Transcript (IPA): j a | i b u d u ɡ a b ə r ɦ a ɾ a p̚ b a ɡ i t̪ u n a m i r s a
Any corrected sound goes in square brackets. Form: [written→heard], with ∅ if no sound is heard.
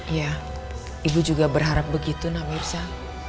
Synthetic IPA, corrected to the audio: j a | i b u [d→d͡ʒ] u ɡ a b ə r ɦ a ɾ a p̚ b [a→ə] ɡ i t̪ u n a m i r s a